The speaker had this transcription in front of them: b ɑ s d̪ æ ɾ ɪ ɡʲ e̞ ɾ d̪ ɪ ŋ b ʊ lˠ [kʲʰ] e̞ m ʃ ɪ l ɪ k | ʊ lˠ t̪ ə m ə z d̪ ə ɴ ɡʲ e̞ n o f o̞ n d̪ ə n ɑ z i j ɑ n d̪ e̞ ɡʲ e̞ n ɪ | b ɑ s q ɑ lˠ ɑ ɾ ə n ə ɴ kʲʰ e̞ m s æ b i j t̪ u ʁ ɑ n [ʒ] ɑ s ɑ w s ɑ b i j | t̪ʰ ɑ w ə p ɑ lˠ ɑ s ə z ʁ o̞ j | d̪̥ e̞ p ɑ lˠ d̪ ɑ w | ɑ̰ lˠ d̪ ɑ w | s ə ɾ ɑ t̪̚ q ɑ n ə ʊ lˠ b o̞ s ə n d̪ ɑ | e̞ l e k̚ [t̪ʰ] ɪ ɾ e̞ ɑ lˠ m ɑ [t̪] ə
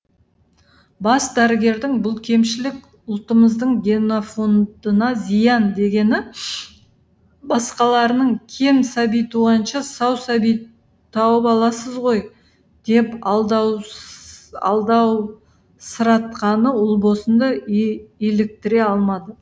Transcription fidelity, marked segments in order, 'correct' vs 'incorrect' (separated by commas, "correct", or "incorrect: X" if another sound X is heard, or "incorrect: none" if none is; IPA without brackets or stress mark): correct, incorrect: ʃ, incorrect: t̪, incorrect: d̪